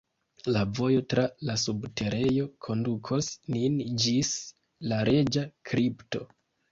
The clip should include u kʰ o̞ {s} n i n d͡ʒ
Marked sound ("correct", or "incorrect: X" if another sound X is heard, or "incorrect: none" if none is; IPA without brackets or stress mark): correct